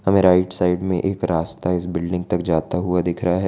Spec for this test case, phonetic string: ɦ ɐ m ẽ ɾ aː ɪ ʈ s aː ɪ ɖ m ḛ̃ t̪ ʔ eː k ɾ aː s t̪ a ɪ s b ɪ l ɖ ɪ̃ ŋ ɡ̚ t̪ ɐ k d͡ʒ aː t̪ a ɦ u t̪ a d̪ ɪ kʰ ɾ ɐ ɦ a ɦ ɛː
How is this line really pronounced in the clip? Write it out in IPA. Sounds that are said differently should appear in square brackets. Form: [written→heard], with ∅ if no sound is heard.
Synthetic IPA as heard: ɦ ɐ m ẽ ɾ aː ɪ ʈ s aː ɪ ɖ m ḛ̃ [t̪→∅] ʔ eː k ɾ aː s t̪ a ɪ s b ɪ l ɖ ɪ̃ ŋ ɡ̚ t̪ ɐ k d͡ʒ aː t̪ a ɦ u [t̪→∅] a d̪ ɪ kʰ ɾ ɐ ɦ a ɦ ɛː